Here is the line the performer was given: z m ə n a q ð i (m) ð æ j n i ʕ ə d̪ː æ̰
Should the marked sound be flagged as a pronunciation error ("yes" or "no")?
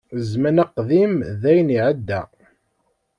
no